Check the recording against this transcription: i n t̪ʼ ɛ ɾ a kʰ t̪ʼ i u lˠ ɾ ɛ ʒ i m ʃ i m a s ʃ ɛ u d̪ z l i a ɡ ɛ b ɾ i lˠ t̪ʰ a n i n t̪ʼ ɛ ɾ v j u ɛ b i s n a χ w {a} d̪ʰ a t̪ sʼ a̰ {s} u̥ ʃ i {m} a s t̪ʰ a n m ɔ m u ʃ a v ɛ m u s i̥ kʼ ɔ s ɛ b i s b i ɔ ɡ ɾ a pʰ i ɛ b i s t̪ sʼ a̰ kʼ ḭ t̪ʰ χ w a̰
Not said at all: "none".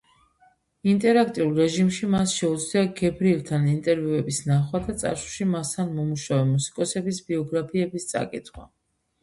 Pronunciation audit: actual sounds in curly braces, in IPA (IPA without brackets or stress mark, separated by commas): a, ʃ, m